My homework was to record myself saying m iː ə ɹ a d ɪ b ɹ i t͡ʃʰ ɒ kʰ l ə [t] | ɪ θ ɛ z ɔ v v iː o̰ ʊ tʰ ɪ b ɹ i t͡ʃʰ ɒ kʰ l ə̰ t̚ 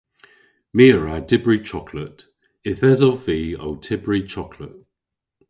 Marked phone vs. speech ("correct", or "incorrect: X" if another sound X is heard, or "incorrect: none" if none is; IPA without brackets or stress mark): correct